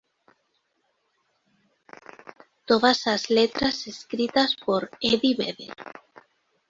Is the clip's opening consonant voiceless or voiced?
voiceless